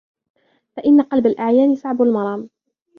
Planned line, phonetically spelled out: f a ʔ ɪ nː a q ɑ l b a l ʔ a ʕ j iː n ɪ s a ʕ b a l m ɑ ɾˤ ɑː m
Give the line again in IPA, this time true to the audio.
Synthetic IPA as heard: f a ʔ ɪ nː a q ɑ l b a l ʔ a ʕ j aː n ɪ s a ʕ b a l m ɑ ɾˤ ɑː m

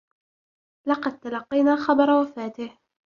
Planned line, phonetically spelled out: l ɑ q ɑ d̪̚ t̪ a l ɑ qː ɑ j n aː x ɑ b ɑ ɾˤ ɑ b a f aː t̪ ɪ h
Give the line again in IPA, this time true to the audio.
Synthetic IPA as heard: l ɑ q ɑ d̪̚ t̪ a l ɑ qː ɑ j n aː x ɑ b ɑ ɾˤ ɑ w a f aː t̪ ɪ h

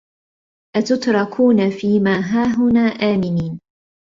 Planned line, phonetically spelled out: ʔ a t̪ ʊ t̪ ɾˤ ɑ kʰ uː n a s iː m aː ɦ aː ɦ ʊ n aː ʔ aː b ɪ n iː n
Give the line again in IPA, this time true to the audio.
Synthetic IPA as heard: ʔ a t̪ ʊ t̪ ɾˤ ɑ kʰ uː n a f iː m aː ɦ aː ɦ ʊ n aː ʔ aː m ɪ n iː n

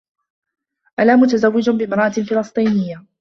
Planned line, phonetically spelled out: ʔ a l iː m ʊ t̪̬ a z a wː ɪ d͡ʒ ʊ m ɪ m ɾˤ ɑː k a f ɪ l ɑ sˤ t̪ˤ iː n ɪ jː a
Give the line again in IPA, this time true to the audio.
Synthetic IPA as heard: ʔ a l aː m ʊ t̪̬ a z a wː ɪ d͡ʒ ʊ b ɪ m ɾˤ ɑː ʔ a f ɪ l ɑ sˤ t̪ˤ iː n ɪ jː a

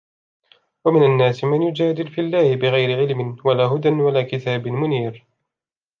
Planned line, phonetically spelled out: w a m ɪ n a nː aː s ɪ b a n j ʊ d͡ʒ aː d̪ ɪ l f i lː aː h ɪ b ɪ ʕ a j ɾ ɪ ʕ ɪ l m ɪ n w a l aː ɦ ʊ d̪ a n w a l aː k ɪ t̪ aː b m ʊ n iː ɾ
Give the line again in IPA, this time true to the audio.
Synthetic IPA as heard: w a m ɪ n a nː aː s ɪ m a n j ʊ d͡ʒ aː d̪ ɪ l f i lː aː h ɪ b ɪ ɣ a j ɾ ɪ ʕ ɪ l m ɪ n w a l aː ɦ ʊ d̪ a n w a l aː k ɪ t̪ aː b m ʊ n iː ɾ

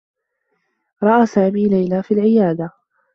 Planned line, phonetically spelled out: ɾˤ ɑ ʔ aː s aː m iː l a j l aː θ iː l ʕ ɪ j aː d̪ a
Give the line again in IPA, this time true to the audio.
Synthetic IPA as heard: ɾˤ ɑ ʔ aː s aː m iː l a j l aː f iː l ʕ ɪ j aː d̪ a

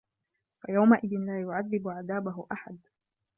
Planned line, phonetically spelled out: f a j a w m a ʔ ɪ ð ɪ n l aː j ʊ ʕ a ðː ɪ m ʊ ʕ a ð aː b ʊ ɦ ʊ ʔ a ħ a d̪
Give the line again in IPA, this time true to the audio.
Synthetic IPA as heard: f a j a w m a ʔ ɪ ð ɪ n l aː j ʊ ʕ a ðː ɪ b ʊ ʕ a ð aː b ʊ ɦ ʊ ʔ a ħ a d̪

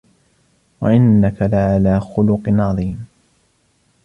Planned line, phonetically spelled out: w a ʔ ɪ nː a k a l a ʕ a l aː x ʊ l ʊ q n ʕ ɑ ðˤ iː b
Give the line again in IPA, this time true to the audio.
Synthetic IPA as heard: w a ʔ ɪ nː a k a l a ʕ a l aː x ʊ l ʊ q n ʕ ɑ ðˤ iː m

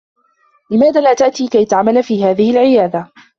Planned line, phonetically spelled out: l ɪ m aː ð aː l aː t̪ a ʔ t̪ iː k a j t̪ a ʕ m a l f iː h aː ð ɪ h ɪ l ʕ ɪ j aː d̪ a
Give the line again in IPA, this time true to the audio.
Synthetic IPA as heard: l ɪ m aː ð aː l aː t̪ a ʔ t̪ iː k a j t̪ a ʕ m a l f iː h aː ð ɪ h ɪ l ʕ ɪ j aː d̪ a

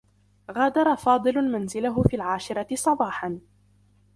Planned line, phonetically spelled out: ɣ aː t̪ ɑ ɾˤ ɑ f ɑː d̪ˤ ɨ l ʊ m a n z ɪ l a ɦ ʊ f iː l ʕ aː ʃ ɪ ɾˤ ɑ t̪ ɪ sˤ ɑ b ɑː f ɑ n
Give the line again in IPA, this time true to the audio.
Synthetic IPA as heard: ɣ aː d̪ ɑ ɾˤ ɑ f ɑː d̪ˤ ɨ l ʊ m a n z ɪ l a ɦ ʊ f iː l ʕ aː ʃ ɪ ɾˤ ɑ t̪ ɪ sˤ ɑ b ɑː ħ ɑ n

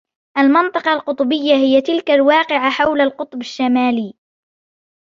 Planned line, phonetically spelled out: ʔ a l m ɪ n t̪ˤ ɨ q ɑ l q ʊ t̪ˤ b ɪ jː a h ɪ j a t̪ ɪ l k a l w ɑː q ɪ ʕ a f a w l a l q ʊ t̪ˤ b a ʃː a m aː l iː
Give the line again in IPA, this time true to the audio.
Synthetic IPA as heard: ʔ a l m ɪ n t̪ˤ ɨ q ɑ l q ʊ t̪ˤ b ɪ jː a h ɪ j a t̪ ɪ l k a l w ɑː q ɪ ʕ a ħ a w l a l q ʊ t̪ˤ b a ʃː a m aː l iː

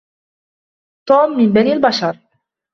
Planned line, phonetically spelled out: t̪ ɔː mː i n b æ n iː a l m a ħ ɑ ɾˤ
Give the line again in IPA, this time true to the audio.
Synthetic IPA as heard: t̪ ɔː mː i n b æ n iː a l b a ʃ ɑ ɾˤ

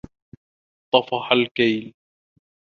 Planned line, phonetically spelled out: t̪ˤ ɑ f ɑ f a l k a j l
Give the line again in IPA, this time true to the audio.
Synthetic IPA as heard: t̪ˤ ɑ f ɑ ħ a l k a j l

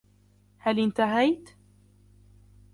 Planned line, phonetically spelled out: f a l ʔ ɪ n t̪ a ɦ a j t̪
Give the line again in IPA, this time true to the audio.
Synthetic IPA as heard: h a l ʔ ɪ n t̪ a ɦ a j t̪

